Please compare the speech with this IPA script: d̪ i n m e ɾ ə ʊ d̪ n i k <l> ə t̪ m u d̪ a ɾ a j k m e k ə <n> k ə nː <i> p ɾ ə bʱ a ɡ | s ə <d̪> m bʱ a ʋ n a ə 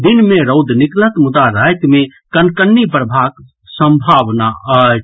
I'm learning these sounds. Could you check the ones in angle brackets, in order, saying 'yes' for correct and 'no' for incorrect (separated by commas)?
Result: yes, yes, yes, no